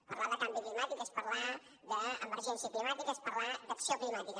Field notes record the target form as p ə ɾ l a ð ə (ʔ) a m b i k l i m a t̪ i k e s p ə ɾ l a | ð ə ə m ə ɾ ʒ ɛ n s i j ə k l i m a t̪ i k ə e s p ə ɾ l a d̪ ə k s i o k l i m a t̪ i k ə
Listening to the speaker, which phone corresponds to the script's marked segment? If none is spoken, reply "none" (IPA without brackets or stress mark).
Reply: k